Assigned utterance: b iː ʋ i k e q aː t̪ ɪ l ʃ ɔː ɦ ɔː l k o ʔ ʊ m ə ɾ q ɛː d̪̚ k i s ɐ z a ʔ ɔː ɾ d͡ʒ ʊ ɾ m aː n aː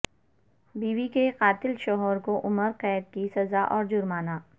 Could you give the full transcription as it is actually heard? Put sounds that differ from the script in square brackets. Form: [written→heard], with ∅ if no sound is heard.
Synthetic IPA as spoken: b iː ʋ i k e q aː t̪ ɪ l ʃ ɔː ɦ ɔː [l→ɾ] k o ʔ ʊ m ə ɾ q ɛː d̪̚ k i s ɐ z a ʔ ɔː ɾ d͡ʒ ʊ ɾ m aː n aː